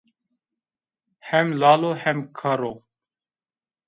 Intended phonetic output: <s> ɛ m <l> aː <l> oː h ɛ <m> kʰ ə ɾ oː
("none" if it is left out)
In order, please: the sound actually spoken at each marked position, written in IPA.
h, l, l, m

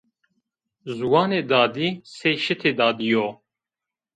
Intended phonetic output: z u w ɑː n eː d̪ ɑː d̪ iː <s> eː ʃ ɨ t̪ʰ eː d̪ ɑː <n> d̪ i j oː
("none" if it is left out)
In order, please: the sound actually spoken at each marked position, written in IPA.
s, none

